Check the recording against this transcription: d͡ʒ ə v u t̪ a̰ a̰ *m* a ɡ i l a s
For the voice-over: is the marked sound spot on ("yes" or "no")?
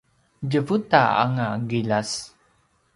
no